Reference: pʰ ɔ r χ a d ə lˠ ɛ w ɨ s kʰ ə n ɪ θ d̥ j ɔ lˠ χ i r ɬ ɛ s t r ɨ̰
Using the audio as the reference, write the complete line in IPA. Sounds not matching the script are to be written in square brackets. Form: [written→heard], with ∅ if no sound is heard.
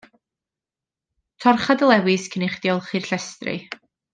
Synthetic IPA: [pʰ→tʰ] ɔ r χ a d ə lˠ ɛ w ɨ s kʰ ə n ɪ [θ→χ] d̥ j ɔ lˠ χ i r ɬ ɛ s t r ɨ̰